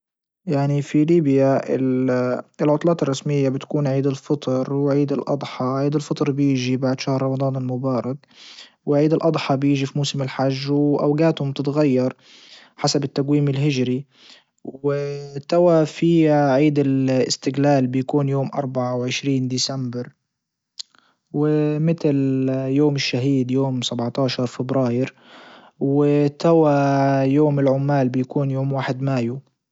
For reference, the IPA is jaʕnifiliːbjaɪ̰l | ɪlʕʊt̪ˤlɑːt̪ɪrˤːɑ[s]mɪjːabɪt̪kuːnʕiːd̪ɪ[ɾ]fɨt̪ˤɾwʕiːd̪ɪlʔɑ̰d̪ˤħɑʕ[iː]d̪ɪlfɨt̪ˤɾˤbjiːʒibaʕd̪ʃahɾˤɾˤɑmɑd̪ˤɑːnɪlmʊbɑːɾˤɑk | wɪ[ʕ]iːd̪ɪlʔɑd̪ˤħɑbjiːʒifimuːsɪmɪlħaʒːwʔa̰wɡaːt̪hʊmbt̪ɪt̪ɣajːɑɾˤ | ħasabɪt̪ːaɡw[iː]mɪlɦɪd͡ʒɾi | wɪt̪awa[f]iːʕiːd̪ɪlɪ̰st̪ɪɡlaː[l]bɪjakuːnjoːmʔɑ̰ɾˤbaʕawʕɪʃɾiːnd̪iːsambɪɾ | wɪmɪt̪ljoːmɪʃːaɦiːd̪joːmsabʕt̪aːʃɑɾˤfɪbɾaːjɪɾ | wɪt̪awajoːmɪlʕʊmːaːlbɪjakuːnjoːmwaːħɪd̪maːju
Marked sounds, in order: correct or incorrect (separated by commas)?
correct, incorrect, correct, correct, correct, correct, correct